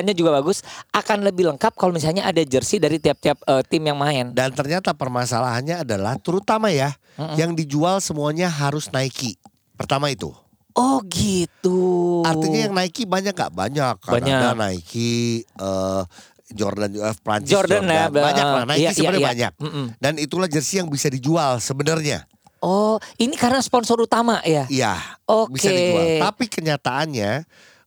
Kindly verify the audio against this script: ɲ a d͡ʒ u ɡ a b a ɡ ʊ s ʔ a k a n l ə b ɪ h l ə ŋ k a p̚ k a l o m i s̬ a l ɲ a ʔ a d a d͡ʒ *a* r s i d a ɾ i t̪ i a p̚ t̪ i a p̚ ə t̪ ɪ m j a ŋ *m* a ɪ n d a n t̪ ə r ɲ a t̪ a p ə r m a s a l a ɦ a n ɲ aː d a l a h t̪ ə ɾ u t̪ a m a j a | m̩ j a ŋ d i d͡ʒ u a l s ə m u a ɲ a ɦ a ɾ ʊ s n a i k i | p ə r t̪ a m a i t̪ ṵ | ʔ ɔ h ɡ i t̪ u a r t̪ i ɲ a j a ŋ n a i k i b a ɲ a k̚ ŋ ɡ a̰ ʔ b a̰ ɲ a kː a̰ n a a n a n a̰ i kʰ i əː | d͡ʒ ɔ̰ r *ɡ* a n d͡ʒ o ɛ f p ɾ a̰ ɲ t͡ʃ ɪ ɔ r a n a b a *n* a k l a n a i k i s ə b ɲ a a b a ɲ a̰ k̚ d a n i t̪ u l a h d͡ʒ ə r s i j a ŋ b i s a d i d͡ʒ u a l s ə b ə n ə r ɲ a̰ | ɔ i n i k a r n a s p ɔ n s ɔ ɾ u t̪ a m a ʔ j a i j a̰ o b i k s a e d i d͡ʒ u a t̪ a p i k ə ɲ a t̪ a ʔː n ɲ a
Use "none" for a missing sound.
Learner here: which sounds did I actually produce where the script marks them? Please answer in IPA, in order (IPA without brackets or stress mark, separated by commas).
ə, m, d, ɲ